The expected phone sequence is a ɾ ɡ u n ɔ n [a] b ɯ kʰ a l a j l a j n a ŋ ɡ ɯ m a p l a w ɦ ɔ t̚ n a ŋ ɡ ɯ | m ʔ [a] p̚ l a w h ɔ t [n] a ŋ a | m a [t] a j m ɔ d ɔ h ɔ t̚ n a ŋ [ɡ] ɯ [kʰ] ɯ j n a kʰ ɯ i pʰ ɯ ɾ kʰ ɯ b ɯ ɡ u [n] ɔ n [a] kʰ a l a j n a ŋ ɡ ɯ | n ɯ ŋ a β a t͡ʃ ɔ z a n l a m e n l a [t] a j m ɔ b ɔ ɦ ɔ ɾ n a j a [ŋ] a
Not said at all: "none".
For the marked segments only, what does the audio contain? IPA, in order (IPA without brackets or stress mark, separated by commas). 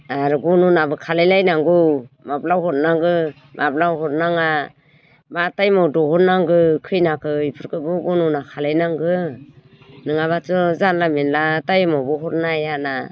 a, a, n, t, ɡ, kʰ, n, a, t, n